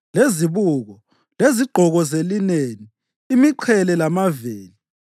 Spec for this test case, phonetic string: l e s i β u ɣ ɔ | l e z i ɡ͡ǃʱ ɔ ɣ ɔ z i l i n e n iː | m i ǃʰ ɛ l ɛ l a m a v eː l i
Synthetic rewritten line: l e z i β u ɣ ɔ | l e z i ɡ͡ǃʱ ɔ ɣ ɔ z e l i n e n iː | m i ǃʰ ɛ l ɛ l a m a v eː l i